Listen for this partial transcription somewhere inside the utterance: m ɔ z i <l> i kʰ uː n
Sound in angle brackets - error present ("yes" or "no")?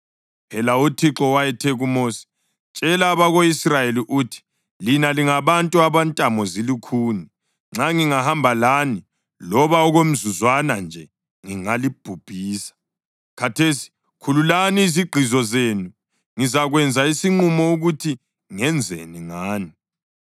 no